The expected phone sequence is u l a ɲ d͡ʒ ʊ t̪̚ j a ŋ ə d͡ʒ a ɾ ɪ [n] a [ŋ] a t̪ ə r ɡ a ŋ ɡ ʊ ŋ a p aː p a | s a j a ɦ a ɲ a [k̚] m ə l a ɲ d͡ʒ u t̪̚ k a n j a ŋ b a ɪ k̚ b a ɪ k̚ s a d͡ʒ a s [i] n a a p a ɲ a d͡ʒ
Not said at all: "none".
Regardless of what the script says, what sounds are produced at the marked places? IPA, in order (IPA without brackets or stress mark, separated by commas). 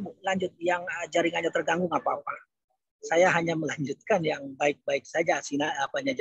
ŋ, ɲ, none, i